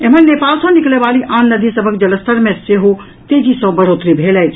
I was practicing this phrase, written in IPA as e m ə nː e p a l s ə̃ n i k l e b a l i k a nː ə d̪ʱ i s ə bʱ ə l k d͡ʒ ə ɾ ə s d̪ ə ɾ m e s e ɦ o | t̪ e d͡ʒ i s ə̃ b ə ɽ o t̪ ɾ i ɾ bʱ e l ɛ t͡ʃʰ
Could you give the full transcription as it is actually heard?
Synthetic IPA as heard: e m ə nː e p a l s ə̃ n i k l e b a l i ʔ a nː ə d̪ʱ i s ə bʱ ə k d͡ʒ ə l ə s t̪ ə ɾ m e s e ɦ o | t̪ e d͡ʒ i s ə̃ b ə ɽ o t̪ ɾ i bʱ e l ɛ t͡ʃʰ

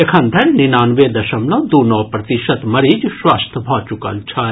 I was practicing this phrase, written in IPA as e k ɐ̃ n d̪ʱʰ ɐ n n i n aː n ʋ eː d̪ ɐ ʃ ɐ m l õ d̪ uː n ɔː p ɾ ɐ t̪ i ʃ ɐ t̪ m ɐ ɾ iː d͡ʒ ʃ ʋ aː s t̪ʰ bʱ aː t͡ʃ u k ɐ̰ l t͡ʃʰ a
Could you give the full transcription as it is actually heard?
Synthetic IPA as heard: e kʰ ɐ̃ n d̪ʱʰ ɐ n n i n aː n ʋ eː d̪ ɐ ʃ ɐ m l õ d̪ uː n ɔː p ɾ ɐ t̪ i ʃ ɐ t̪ m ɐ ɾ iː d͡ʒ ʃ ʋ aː s t̪ʰ bʱ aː t͡ʃ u k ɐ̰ l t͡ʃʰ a

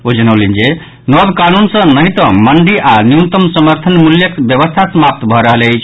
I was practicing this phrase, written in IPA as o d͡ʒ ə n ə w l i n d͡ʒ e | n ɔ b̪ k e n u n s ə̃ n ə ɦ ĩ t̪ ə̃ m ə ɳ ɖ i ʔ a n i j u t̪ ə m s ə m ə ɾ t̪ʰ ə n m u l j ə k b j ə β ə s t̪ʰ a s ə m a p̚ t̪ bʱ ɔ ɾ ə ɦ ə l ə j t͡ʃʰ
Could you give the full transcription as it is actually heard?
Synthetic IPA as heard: o d͡ʒ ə n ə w l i n d͡ʒ e | n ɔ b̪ k a n u n s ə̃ n ə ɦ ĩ t̪ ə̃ m ə ɳ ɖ i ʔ a n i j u t̪ ə m s ə m ə ɾ t̪ʰ ə n m u l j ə k b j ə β ə s t̪ʰ a s ə m a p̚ t̪ bʱ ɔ ɾ ə ɦ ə l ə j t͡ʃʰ

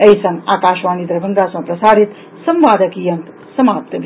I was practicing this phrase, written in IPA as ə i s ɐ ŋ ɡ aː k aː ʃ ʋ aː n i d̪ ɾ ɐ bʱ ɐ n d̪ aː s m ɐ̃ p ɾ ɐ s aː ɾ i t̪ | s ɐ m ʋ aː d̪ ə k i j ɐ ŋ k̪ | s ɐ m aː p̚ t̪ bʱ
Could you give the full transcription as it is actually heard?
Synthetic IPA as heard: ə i s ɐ ŋ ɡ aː k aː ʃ ʋ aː n i d̪ ɾ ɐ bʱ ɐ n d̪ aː s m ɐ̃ p ɾ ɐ s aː ɾ i t̪ | s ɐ m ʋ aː d̪ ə k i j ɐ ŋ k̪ | s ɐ m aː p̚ t̪ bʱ

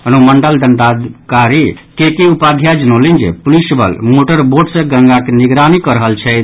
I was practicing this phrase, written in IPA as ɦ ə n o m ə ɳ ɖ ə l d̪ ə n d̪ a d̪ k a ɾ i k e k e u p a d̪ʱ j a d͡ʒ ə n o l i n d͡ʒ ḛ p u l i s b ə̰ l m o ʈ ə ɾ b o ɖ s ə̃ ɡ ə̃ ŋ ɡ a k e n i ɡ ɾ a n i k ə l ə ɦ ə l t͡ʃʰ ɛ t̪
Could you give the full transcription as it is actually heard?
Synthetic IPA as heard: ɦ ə n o m ə ɳ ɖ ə l d̪ ə n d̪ a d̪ k a ɾ i k e k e u p a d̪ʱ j a d͡ʒ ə n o l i n d͡ʒ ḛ p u l i s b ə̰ l m o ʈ ə ɾ b o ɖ s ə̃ ɡ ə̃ ŋ ɡ a k e n i ɡ ɾ a n i k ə ɾ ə ɦ ə l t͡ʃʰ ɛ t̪

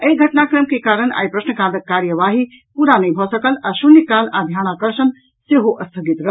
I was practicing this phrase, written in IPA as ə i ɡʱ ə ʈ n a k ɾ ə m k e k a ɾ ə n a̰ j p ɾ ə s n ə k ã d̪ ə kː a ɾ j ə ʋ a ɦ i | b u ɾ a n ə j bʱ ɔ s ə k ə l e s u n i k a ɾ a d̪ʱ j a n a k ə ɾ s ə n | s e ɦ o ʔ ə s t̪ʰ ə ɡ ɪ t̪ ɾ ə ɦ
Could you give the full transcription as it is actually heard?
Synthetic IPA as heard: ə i ɡʱ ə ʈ n a k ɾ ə m k e k a ɾ ə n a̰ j p ɾ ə s n ə k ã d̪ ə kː a ɾ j ə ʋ a ɦ i | p u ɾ a n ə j bʱ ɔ s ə k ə l a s u n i k a l a d̪ʱ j a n a k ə ɾ s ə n | s e ɦ o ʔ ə s t̪ʰ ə ɡ i t̪ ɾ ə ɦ

